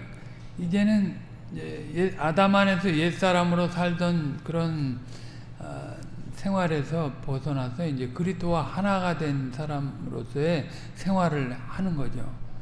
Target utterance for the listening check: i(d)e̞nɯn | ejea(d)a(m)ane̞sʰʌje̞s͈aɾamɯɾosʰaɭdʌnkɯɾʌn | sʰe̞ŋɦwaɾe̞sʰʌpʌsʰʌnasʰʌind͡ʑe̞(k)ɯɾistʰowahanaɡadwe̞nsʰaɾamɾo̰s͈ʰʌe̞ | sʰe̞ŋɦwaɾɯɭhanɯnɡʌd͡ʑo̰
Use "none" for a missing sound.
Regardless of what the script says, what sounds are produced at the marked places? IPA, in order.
d͡ʑ, d, m, k

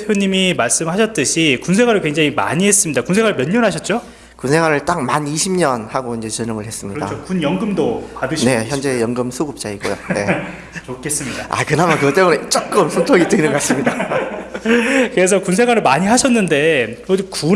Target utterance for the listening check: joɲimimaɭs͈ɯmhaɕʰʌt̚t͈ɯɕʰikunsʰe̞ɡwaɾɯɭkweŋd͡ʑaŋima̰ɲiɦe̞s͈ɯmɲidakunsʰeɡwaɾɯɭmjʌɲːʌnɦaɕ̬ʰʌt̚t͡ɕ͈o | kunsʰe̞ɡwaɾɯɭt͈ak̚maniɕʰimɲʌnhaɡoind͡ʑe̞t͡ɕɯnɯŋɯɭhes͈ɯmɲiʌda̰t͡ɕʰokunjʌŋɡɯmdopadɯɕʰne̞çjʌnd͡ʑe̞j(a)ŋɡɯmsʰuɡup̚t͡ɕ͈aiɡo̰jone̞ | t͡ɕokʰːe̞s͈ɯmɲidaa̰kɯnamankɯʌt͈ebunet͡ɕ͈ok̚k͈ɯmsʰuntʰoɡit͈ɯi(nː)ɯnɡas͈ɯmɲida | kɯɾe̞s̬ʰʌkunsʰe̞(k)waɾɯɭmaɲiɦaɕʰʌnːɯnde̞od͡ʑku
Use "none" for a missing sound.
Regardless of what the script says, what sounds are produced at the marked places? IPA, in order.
ʌ, n, ɡ

